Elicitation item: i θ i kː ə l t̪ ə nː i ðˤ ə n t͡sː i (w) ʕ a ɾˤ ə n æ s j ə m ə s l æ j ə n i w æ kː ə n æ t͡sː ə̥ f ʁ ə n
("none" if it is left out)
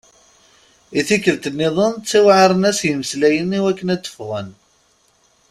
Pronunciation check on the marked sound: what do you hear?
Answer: w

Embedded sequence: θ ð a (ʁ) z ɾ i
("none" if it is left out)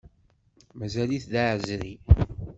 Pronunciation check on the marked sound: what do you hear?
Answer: ʕ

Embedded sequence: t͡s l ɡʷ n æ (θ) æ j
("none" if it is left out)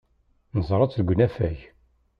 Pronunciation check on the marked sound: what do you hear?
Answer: f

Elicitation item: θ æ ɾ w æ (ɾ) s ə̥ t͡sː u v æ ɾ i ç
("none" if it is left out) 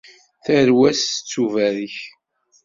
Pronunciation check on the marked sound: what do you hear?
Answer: none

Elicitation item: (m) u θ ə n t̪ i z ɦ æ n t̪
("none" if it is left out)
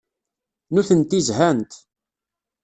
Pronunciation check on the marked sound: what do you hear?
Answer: n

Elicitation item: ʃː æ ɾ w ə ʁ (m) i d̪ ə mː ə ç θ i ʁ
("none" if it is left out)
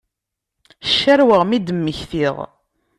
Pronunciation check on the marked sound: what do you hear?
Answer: m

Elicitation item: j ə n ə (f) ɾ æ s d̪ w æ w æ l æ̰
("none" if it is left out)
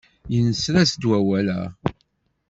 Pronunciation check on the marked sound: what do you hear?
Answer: s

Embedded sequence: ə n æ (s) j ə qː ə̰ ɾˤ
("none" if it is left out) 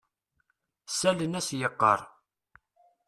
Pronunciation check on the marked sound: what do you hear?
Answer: s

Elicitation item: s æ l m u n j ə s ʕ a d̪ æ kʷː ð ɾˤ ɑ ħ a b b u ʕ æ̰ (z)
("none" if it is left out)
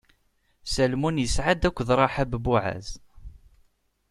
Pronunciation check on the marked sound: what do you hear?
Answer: z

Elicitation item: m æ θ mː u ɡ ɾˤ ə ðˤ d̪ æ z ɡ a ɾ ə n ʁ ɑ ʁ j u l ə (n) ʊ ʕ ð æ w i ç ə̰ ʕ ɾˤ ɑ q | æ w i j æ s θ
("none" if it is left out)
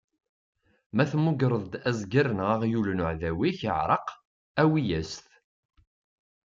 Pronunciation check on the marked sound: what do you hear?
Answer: n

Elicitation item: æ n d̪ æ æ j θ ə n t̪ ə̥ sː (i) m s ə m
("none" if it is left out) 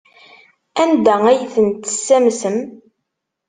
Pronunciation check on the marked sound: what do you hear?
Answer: æ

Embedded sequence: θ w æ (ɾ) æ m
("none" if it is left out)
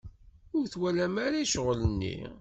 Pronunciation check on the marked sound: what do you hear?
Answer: l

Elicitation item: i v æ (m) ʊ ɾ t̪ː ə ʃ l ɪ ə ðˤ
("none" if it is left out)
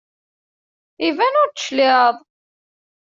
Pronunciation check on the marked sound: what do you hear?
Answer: n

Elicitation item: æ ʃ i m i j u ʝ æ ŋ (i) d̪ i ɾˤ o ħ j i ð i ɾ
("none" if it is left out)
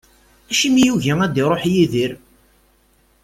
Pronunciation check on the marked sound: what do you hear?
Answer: æ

